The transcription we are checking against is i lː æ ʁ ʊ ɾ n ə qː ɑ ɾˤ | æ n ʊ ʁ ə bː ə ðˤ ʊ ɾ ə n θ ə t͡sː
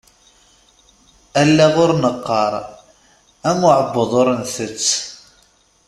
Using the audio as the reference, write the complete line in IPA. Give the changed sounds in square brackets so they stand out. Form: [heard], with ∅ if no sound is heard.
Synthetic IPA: [æ] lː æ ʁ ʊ ɾ n ə qː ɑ ɾˤ | æ [m] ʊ [ʕ] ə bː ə ðˤ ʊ ɾ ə n θ ə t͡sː